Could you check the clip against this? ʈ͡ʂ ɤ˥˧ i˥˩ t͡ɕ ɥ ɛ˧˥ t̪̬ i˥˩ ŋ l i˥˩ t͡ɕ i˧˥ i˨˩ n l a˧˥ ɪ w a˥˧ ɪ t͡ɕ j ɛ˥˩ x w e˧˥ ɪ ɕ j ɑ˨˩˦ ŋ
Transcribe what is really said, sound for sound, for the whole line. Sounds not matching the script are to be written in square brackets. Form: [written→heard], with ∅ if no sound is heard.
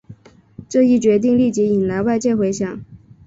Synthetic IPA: ʈ͡ʂ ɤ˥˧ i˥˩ t͡ɕ ɥ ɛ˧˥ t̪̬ [i˥˩→i˥˧] ŋ l i˥˩ t͡ɕ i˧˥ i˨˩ n l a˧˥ ɪ w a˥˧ ɪ t͡ɕ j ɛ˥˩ x w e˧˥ ɪ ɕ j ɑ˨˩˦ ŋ